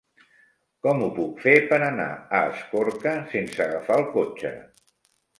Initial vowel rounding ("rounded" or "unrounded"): rounded